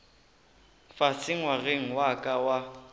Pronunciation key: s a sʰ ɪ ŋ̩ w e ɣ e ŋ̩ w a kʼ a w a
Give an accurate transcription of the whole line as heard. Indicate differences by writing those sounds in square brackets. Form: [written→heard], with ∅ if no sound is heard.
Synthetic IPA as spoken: [s→f] a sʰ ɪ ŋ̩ w [e→a] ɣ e ŋ̩ w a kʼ a w a